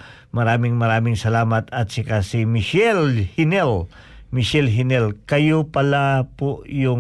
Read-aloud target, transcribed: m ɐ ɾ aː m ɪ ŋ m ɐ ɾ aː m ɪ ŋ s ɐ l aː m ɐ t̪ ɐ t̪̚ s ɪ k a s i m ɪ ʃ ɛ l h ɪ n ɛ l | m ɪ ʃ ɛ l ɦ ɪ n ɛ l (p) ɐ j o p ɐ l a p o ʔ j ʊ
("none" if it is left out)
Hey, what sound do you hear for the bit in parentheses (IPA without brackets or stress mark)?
k